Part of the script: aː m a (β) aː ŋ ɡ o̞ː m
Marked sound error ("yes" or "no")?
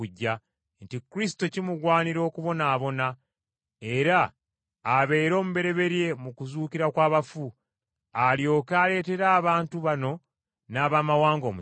yes